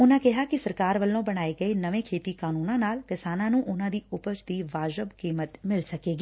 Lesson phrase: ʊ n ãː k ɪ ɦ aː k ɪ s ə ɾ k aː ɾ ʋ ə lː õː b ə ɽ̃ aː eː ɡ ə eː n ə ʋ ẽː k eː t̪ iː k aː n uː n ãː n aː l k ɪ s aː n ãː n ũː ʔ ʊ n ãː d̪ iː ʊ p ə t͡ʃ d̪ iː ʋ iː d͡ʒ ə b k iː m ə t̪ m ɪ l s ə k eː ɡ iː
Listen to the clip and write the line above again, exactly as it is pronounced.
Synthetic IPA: ʊ n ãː k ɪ ɦ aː k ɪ s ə ɾ k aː ɾ ʋ ə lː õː b ə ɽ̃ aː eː ɡ ə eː n ə ʋ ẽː kʰ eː t̪ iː k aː n uː n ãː n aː l k ɪ s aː n ãː n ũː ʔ ʊ n ãː d̪ iː ʊ p ə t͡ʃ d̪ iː ʋ aː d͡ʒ ə b k iː m ə t̪ m ɪ l s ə k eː ɡ iː